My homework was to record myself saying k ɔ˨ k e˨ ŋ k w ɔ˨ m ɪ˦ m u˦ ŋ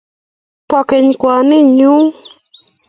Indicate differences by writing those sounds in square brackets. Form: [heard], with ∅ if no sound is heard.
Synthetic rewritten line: [p] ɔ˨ k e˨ [ɲ] k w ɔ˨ [n] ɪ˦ [ɲ] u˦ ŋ